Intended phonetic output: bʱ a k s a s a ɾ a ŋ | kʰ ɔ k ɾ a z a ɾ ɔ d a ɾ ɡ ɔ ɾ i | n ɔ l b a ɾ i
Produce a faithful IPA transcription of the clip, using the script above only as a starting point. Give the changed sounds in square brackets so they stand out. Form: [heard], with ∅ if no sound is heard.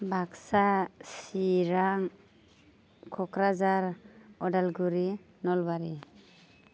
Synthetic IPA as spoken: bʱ a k s a s [i] ɾ a ŋ | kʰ ɔ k ɾ a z a ɾ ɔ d a [l] ɡ [u] ɾ i | n ɔ l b a ɾ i